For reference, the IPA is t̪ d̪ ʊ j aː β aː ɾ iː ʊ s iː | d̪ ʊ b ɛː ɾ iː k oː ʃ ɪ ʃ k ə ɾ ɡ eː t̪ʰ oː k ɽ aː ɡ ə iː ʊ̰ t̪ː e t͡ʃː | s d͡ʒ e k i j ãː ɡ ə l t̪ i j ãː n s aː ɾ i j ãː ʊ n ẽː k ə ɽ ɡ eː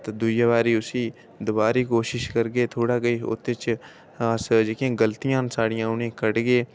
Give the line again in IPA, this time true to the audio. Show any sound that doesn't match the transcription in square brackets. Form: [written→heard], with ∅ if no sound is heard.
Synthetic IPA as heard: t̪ d̪ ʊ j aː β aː ɾ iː ʊ s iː | d̪ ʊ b [ɛː→aː] ɾ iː k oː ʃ ɪ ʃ k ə ɾ ɡ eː t̪ʰ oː [k→∅] ɽ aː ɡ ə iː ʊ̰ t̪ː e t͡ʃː | s d͡ʒ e k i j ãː ɡ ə l t̪ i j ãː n s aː [ɾ→ɽ] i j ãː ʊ n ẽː k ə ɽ ɡ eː